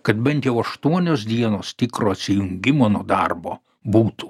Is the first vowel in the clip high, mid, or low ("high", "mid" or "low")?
low